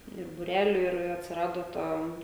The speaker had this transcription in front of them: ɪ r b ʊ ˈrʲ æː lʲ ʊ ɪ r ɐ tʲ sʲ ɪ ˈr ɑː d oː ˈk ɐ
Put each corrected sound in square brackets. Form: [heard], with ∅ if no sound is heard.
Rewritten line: ɪ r b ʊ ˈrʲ æː lʲ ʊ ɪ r ɐ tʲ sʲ ɪ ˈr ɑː d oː [ˈt] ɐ